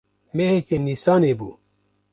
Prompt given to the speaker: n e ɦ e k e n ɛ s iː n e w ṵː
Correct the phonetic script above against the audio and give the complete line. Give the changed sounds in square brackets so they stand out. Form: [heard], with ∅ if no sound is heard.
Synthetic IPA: [m] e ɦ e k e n [i] s [aː] n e [b] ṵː